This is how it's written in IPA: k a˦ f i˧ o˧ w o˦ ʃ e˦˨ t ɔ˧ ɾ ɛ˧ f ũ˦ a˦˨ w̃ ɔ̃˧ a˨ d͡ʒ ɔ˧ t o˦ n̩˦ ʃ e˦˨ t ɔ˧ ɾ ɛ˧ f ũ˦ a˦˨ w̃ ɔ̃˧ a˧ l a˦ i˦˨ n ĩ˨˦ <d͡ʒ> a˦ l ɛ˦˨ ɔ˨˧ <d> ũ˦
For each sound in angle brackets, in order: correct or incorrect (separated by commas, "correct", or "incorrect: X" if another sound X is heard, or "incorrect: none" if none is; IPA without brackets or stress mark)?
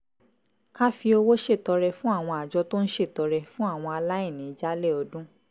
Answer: correct, correct